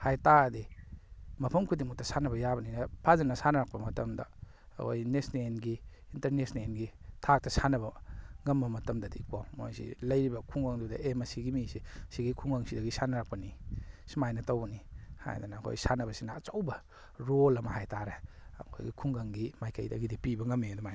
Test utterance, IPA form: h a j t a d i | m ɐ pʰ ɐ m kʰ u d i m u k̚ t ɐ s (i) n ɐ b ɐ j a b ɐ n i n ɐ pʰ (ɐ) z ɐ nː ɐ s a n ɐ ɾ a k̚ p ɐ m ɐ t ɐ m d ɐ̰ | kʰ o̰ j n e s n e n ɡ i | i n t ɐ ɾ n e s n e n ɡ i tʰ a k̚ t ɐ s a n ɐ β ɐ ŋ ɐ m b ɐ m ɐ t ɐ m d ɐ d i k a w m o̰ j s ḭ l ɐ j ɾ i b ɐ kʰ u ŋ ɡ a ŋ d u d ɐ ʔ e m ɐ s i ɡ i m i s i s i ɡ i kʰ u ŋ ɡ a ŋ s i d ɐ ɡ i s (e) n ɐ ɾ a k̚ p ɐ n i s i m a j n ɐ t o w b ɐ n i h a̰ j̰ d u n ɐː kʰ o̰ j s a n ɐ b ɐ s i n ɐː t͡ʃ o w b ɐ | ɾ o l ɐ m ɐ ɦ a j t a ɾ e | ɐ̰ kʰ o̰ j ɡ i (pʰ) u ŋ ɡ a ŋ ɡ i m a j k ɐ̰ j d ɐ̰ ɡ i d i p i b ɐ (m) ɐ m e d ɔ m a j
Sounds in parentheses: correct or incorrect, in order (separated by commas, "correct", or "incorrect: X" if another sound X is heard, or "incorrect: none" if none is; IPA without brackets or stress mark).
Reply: incorrect: a, incorrect: a, incorrect: a, incorrect: kʰ, incorrect: ŋ